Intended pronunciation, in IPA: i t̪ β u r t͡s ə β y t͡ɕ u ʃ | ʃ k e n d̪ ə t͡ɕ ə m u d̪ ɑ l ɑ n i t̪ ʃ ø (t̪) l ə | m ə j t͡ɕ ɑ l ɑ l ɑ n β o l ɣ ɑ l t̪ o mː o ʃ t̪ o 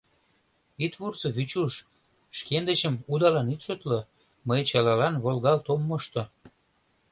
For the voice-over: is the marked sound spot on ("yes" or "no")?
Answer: yes